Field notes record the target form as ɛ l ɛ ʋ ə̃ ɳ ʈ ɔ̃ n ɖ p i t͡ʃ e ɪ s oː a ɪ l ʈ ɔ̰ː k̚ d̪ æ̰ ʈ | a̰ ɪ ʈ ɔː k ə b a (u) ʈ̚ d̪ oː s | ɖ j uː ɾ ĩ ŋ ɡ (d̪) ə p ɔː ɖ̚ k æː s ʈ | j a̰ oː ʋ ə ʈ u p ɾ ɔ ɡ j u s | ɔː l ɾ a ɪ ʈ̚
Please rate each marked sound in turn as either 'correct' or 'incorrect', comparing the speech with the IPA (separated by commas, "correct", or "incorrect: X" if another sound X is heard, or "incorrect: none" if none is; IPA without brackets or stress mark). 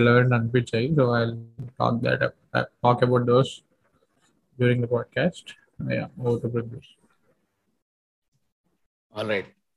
incorrect: ʊ, correct